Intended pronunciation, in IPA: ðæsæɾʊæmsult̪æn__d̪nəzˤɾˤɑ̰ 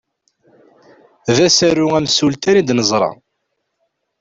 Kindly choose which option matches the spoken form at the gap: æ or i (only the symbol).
i